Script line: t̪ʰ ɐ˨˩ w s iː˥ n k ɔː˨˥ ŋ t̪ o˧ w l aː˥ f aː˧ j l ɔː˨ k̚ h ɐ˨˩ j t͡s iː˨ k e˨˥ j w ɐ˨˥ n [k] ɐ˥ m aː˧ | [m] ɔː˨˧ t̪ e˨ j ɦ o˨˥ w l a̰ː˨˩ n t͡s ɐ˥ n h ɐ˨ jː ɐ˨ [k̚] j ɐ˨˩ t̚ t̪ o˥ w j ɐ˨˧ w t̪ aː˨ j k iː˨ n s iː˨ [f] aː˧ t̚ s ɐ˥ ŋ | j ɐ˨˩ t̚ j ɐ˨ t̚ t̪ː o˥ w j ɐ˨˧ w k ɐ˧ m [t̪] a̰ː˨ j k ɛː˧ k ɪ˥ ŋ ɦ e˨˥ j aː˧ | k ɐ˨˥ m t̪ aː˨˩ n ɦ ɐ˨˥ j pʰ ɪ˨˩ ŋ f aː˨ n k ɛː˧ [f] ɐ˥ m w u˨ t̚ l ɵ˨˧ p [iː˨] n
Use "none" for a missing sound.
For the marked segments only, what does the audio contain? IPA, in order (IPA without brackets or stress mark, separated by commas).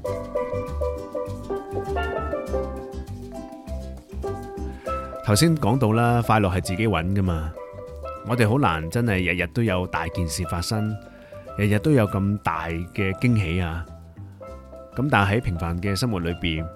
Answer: k, ŋ, t̚, f, t̪, s, iː˨